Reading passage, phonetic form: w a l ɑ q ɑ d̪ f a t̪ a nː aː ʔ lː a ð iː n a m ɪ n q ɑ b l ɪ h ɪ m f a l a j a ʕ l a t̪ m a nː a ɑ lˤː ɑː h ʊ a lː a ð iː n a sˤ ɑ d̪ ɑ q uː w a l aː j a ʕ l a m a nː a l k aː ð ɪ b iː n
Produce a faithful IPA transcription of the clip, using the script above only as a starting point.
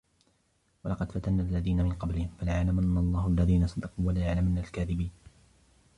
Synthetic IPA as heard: w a l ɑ q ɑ d̪ f a t̪ a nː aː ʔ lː a ð iː n a m ɪ n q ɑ b l ɪ h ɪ m f a l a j a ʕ l a m a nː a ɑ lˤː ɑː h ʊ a lː a ð iː n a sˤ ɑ d̪ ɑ q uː w a l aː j a ʕ l a m a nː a l k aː ð ɪ b iː n